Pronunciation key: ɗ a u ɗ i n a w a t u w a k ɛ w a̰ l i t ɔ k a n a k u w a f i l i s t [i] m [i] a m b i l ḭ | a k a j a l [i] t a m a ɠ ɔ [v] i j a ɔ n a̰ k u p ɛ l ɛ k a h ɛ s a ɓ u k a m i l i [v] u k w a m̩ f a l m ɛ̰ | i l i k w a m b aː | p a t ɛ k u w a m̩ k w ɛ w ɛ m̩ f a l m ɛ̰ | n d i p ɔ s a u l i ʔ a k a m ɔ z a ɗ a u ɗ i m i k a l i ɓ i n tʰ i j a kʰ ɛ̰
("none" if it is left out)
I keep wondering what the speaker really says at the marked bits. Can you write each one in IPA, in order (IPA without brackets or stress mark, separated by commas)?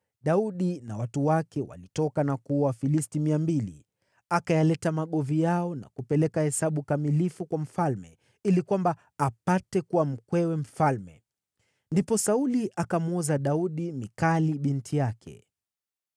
i, i, ɛ, v, f